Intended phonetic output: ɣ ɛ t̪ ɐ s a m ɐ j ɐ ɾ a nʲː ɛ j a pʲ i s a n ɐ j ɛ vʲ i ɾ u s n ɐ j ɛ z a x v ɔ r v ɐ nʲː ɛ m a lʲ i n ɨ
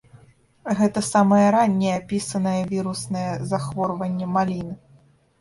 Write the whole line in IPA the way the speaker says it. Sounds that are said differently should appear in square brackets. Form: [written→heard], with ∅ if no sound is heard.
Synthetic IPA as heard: ɣ ɛ t̪ ɐ s a m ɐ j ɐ ɾ a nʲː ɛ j a pʲ i s [a→ɐ] n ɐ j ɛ vʲ i ɾ u s n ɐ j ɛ z a x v ɔ r v ɐ nʲː ɛ m a lʲ i n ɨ

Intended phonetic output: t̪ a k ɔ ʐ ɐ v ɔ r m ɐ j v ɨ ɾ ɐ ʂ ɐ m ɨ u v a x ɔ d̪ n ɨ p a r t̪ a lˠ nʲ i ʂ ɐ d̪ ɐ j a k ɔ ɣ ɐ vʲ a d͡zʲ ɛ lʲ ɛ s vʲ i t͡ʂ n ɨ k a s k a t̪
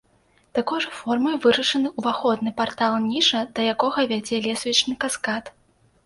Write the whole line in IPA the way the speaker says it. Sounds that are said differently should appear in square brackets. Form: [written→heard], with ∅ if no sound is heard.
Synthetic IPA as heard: t̪ a k ɔ ʐ ɐ [v→f] ɔ r m ɐ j v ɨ ɾ ɐ ʂ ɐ [m→n] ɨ u v a x ɔ d̪ n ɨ p a r t̪ a lˠ nʲ i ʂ ɐ d̪ ɐ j a k ɔ ɣ ɐ vʲ a d͡zʲ ɛ lʲ ɛ s vʲ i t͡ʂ n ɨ k a s k a t̪

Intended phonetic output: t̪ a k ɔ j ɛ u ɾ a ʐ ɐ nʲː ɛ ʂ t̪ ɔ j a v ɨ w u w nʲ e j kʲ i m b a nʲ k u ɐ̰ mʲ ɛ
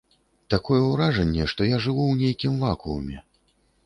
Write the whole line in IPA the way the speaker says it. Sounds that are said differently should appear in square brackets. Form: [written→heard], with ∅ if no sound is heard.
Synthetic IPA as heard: t̪ a k ɔ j ɛ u ɾ a ʐ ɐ nʲː ɛ ʂ t̪ ɔ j a [v→ʐ] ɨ [w→v] u w nʲ e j kʲ i m [b→v] a [nʲ→∅] k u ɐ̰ mʲ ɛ

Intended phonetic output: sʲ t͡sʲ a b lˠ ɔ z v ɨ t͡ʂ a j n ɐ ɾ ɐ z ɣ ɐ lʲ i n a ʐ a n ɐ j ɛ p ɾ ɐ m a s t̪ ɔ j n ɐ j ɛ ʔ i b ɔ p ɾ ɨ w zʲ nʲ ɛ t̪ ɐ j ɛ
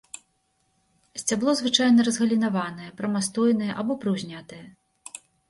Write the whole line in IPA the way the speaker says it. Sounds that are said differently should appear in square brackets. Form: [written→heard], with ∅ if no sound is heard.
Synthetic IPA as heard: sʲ t͡sʲ a b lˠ ɔ z v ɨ t͡ʂ a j n ɐ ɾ ɐ z ɣ ɐ lʲ i n a [ʐ→v] a n ɐ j ɛ p ɾ ɐ m a s t̪ ɔ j n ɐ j ɛ ʔ [i→a] b ɔ p ɾ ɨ w zʲ nʲ [ɛ→a] t̪ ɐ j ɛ

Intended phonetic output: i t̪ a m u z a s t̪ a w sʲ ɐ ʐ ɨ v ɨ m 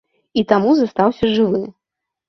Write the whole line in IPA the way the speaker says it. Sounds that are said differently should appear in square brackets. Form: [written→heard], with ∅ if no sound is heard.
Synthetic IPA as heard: i t̪ a m u z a s t̪ a w sʲ ɐ ʐ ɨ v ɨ m

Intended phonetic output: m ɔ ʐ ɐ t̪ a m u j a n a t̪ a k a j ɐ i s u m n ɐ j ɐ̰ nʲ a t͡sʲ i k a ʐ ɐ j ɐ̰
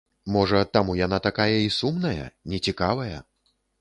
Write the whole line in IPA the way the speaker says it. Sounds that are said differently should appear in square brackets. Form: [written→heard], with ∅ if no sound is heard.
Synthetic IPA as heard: m ɔ ʐ ɐ t̪ a m u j a n a t̪ a k a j ɐ i s u m n ɐ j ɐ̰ nʲ [a→ɛ] t͡sʲ i k a [ʐ→v] ɐ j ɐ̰

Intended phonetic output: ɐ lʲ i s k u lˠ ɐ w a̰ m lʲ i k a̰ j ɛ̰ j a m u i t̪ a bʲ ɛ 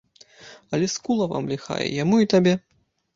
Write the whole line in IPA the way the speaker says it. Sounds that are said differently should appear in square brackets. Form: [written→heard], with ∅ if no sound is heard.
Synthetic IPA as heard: ɐ lʲ [i→ɛ] s k u lˠ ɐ [w→v] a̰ m lʲ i [k→x] a̰ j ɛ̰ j a m u i t̪ a bʲ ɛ

